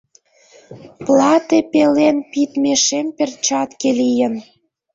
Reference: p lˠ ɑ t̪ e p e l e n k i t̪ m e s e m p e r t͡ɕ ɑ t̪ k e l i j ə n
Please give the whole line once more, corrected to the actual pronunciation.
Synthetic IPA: p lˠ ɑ t̪ e p e l e n p i t̪ m e ʃ e m p e r t͡ɕ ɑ t̪ k e l i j ə n